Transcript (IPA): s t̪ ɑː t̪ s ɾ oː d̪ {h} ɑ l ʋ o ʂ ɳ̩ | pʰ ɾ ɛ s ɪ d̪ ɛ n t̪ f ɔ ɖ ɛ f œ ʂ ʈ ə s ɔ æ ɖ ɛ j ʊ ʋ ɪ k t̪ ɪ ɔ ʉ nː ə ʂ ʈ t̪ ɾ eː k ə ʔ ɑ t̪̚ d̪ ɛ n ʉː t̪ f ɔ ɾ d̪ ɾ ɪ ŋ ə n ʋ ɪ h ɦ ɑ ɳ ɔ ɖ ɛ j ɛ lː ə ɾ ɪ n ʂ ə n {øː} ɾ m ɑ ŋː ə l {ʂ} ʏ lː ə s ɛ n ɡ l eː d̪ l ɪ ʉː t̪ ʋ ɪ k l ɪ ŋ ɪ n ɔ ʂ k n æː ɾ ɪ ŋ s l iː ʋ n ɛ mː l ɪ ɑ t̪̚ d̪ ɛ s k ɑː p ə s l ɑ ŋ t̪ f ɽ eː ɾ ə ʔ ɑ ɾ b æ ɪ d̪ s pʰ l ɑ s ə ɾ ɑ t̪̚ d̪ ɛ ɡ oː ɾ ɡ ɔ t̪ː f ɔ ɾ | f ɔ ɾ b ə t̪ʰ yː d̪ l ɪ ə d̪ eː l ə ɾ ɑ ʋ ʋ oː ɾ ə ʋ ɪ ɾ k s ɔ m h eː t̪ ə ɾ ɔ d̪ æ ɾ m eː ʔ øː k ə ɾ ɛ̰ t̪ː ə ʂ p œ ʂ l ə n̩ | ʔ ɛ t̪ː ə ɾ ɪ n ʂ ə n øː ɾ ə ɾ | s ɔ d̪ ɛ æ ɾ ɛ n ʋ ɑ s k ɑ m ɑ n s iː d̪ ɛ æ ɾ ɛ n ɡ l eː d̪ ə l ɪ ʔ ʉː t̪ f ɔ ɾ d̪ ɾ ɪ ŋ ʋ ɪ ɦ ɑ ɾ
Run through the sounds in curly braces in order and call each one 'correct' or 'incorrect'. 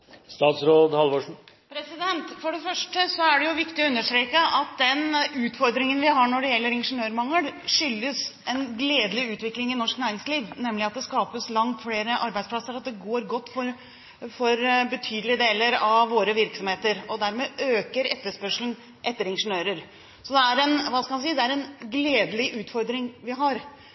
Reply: correct, correct, correct

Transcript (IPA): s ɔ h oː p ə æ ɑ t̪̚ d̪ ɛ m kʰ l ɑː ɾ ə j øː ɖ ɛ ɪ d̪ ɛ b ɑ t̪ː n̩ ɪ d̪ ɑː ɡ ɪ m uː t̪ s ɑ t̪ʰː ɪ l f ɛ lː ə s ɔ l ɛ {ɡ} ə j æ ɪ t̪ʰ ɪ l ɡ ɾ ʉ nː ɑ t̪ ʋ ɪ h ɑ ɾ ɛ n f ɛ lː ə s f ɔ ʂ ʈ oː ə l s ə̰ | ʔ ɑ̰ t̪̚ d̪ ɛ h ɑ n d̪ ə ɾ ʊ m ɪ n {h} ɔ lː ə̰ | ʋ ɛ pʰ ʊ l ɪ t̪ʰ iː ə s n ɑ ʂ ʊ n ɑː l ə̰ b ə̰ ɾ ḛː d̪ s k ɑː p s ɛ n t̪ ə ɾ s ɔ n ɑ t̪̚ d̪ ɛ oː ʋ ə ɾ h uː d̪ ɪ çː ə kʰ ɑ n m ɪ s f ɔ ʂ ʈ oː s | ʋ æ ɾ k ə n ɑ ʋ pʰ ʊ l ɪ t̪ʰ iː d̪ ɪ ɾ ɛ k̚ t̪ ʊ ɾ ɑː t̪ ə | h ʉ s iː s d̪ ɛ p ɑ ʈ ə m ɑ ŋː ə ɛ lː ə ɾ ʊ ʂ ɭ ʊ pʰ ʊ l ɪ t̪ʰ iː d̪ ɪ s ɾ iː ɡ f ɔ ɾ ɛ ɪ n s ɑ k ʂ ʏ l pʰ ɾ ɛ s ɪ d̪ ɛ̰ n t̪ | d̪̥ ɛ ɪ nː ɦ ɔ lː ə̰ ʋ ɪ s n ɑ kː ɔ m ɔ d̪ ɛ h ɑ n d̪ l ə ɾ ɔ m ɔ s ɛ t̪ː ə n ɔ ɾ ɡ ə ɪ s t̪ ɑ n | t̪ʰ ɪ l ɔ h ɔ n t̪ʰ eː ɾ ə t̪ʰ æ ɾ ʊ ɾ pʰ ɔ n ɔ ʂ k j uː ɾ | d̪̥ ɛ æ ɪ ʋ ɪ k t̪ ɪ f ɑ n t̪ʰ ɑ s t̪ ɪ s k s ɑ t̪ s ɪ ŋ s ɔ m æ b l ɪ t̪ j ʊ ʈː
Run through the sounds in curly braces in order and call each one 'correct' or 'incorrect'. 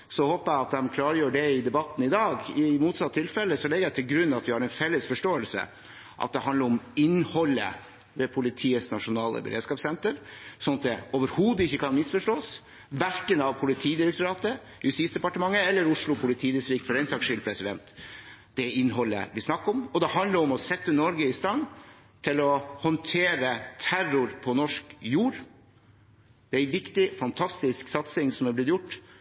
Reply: correct, correct

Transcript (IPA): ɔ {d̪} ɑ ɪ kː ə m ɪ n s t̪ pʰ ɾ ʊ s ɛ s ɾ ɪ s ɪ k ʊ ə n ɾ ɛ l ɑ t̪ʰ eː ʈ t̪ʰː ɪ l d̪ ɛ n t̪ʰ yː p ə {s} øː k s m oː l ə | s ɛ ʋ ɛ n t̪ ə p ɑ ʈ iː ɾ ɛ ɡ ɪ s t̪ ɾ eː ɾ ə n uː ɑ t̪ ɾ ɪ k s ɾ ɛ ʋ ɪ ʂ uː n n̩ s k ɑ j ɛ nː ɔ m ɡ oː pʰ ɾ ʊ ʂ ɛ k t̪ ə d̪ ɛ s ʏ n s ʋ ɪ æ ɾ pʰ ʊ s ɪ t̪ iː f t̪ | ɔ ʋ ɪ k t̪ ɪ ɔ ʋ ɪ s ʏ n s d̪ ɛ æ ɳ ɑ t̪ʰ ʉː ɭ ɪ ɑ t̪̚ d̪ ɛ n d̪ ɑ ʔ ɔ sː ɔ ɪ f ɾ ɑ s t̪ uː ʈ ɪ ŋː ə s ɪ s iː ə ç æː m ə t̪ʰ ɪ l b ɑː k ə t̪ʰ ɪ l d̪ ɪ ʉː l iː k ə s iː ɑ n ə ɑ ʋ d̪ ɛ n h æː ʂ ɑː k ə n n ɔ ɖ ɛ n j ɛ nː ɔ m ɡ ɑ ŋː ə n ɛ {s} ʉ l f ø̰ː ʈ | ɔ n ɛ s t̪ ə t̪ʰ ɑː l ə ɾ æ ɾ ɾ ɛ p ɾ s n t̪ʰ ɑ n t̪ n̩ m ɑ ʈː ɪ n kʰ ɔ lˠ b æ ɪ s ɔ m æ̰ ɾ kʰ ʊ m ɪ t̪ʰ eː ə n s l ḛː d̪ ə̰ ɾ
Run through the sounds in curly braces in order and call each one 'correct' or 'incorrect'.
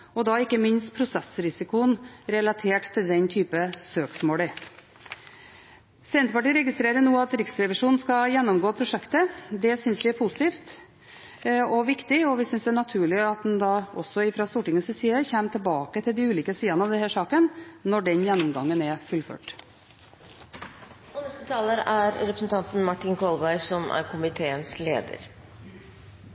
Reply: correct, correct, incorrect: f

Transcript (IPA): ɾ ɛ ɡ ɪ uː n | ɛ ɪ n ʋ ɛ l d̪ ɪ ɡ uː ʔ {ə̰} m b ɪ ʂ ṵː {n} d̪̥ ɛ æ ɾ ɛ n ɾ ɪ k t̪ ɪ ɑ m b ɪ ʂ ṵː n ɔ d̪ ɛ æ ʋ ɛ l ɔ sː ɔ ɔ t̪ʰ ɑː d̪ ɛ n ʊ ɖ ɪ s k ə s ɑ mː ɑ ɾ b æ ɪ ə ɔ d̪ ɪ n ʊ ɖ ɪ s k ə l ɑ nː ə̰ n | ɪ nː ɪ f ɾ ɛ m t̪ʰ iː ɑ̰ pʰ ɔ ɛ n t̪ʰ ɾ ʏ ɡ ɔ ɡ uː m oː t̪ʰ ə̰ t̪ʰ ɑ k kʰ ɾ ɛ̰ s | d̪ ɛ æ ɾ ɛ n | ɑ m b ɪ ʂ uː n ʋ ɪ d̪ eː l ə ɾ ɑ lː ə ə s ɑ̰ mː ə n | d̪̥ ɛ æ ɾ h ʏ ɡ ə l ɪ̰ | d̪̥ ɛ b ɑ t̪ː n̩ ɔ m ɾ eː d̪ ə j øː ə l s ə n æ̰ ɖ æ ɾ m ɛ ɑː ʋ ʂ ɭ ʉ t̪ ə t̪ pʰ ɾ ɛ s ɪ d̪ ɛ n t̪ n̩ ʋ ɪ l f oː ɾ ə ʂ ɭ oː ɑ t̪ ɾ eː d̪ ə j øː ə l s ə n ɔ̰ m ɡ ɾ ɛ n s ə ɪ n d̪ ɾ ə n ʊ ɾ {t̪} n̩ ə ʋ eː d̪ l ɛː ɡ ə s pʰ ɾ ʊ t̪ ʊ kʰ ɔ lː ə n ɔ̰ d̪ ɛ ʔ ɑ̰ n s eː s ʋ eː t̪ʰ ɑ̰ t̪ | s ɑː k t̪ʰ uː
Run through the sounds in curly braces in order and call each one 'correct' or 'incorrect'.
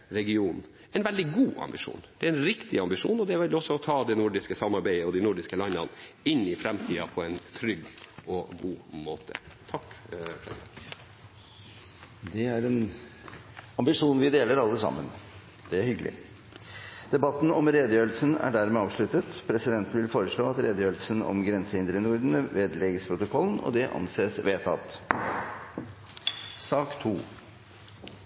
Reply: incorrect: ɑ̰, correct, incorrect: d̪

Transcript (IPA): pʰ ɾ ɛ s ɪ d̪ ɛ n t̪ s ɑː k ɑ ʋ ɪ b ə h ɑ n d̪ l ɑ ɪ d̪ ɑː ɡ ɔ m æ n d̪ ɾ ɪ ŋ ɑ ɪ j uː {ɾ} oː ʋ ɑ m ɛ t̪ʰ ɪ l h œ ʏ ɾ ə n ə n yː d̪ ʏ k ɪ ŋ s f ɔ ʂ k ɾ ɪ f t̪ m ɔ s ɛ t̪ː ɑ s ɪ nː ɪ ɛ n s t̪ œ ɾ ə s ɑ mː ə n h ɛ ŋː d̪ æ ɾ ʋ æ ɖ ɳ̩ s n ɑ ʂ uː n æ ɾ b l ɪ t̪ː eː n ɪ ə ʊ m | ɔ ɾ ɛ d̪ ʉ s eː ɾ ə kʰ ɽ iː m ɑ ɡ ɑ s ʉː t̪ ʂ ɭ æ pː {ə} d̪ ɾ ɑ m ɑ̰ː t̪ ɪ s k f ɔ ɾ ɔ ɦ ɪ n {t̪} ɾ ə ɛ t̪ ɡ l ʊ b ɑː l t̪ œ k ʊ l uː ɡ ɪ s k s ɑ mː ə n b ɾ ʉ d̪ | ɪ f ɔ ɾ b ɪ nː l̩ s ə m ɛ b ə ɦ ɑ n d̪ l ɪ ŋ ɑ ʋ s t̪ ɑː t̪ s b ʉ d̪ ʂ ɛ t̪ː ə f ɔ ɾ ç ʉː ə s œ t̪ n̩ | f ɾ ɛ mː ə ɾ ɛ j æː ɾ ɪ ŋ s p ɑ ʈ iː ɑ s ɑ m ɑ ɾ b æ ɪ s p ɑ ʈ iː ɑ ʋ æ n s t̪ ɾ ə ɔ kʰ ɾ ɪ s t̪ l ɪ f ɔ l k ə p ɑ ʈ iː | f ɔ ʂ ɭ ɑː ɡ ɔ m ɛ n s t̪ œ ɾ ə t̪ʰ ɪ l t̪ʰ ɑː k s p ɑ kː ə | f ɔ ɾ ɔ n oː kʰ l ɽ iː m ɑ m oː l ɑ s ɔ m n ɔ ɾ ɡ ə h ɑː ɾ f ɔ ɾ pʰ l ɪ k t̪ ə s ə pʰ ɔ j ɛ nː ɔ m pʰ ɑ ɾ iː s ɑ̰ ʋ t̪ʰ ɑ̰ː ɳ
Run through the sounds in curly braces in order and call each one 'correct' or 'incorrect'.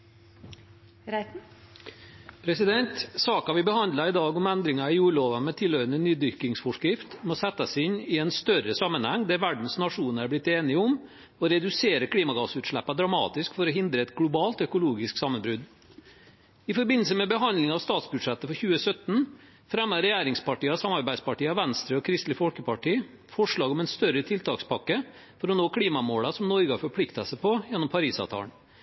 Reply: incorrect: ɭ, incorrect: ɑ, incorrect: d̪

